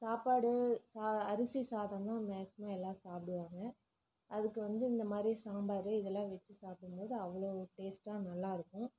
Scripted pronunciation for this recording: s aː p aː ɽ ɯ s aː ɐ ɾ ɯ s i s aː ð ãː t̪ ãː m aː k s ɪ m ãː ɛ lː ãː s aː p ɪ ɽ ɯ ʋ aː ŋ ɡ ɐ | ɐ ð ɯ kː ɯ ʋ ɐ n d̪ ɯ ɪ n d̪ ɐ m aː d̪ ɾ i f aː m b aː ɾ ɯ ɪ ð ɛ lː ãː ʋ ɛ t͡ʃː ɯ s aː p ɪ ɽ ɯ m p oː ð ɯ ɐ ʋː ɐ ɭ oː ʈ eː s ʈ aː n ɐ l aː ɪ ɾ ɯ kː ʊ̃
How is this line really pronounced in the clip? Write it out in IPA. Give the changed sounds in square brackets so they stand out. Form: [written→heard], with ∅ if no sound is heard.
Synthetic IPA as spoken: s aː p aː ɽ ɯ s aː ɐ ɾ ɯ s i s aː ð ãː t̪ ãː m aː k s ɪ m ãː ɛ lː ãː s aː p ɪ ɽ ɯ ʋ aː ŋ ɡ ɐ | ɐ ð ɯ kː ɯ ʋ ɐ n d̪ ɯ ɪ n d̪ ɐ m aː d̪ ɾ i [f→s] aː m b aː ɾ ɯ ɪ ð ɛ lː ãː ʋ ɛ t͡ʃː ɯ s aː p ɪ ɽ ɯ m p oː ð ɯ ɐ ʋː ɐ ɭ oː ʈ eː s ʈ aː n ɐ [l→lː] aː ɪ ɾ ɯ kː ʊ̃